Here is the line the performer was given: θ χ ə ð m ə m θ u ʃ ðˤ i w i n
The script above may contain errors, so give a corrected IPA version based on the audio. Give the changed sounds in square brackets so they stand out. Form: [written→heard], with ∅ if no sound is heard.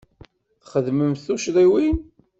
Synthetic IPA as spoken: θ χ ə ð m ə m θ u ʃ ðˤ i w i n